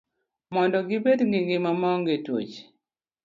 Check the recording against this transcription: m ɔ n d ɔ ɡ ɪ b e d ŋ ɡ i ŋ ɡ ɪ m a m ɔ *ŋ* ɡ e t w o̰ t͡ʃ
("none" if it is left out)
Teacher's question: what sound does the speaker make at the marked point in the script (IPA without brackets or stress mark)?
ŋ